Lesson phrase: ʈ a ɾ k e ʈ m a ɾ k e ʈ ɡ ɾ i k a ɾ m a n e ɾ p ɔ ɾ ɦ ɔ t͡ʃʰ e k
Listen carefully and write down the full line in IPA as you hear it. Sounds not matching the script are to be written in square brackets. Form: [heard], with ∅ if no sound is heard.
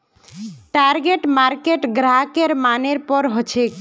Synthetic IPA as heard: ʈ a ɾ [ɡ] e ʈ m a ɾ k e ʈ ɡ ɾ [a] k [e] ɾ m a n e ɾ p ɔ ɾ ɦ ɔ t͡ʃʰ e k